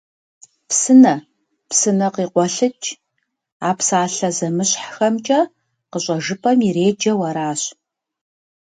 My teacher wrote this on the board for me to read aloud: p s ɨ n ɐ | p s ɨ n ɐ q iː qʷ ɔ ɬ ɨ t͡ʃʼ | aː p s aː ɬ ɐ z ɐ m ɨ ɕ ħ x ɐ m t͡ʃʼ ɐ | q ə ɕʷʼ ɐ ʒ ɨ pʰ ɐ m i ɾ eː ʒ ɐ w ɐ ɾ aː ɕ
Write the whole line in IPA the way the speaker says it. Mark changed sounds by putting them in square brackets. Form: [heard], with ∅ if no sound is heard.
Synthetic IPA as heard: p s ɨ n ɐ | p s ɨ n ɐ q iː qʷ ɔ ɬ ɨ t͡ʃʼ | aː p s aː ɬ ɐ z ɐ m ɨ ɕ ħ x ɐ m t͡ʃʼ ɐ | q ə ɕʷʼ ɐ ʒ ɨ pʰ ɐ m i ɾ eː [d͡ʒ] ɐ w ɐ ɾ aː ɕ